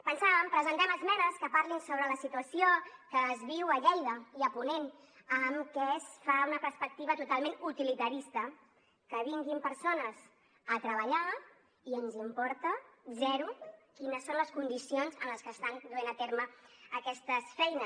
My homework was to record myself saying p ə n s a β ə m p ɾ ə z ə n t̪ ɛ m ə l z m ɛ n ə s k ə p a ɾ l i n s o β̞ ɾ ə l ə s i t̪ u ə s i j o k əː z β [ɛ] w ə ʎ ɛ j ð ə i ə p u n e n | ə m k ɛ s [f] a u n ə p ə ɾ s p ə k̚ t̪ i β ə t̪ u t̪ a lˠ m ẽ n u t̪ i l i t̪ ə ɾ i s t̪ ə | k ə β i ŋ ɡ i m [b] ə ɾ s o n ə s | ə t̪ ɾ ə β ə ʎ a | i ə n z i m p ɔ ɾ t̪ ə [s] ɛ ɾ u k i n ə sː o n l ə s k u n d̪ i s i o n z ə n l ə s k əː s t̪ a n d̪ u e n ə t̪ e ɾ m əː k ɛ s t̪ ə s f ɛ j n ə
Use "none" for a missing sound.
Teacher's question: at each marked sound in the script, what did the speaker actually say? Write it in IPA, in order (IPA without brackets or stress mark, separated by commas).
i, f, p, z